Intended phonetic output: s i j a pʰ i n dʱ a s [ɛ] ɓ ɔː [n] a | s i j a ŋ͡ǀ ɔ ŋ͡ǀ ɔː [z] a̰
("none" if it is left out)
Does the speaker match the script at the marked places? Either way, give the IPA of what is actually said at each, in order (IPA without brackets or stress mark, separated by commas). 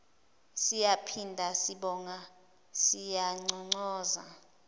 i, ŋ, z